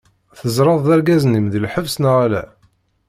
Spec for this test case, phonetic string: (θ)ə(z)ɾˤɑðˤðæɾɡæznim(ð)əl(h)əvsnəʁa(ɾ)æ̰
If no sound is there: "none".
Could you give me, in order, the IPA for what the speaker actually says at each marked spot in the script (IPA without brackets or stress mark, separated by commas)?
θ, z, ð, ħ, l